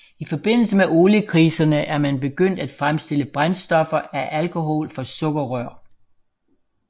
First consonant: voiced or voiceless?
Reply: voiceless